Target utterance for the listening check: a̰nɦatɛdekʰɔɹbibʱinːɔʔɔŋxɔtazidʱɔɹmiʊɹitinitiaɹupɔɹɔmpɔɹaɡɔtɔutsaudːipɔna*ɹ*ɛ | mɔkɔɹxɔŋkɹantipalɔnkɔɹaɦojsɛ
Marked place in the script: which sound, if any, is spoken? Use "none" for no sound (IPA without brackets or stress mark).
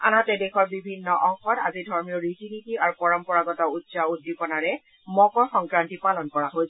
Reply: ɹ